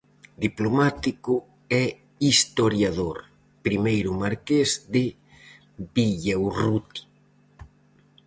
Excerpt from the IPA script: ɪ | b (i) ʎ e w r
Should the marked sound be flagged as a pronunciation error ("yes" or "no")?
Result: no